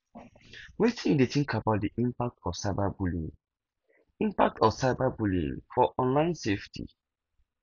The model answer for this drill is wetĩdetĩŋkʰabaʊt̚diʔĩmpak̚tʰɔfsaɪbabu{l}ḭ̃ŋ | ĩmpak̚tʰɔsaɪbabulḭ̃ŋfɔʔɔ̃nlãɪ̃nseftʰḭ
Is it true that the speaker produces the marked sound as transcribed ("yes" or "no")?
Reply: yes